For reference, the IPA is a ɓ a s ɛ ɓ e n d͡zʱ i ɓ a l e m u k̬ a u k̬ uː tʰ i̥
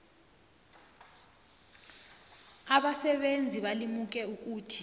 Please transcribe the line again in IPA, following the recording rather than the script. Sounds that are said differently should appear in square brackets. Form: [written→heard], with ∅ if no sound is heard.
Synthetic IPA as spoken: a ɓ a s ɛ ɓ e n d͡zʱ i ɓ a l [e→i] m u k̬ [a→ɛ] u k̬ uː tʰ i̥